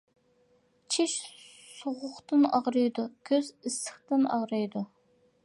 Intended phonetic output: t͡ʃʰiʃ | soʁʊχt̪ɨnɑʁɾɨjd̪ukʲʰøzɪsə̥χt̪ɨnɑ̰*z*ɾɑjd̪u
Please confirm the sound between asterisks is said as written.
no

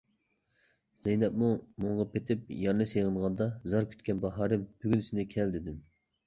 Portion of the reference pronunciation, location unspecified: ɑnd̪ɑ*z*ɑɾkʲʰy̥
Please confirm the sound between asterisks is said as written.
yes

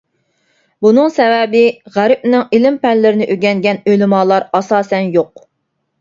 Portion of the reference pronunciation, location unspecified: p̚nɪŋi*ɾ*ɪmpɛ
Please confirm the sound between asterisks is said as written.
no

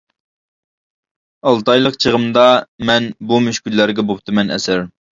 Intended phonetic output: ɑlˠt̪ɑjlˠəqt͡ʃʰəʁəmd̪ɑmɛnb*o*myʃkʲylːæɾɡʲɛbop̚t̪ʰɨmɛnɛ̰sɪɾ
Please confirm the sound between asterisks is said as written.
no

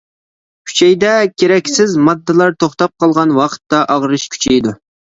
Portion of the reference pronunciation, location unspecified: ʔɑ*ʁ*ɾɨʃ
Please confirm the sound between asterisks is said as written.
yes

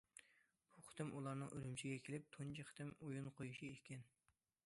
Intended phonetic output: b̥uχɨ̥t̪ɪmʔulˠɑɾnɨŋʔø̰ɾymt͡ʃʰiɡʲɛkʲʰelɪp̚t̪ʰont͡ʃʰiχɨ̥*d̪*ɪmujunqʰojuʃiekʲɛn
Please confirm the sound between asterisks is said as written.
no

